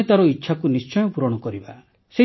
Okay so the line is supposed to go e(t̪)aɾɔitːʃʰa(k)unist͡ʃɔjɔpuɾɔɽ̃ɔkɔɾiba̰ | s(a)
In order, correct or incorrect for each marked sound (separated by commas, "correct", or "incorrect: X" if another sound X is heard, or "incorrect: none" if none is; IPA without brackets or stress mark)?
correct, correct, incorrect: e